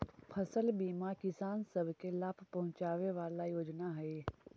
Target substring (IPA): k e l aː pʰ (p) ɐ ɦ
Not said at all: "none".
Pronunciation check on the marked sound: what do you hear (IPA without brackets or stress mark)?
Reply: p